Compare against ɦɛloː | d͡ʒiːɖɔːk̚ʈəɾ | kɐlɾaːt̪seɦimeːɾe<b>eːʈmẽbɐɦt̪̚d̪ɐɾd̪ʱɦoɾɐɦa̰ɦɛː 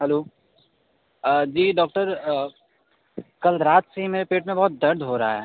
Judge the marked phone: incorrect: p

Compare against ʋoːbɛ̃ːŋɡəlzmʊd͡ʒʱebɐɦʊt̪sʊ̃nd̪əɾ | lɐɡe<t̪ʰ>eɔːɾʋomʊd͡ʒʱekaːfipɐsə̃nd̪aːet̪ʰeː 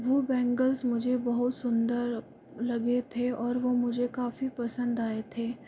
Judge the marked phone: correct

